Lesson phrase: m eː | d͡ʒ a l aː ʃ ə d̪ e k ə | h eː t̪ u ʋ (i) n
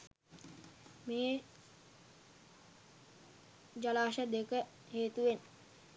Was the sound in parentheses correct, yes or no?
no